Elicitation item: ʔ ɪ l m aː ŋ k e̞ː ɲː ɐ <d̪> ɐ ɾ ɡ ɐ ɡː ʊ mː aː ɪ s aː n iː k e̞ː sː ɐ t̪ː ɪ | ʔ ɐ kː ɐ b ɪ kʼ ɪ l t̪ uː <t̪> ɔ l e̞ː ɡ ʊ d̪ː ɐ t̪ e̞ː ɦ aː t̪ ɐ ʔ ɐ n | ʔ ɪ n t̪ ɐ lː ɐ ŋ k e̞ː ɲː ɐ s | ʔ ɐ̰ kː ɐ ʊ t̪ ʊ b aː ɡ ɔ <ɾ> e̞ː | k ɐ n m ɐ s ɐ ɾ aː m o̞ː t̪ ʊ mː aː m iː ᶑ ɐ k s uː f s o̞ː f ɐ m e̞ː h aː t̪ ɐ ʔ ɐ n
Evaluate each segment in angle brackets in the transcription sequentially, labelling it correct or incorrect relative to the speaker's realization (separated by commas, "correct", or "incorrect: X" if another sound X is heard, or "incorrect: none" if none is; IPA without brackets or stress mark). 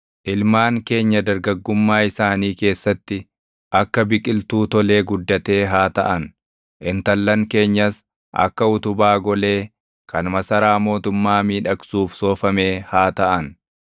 correct, correct, incorrect: l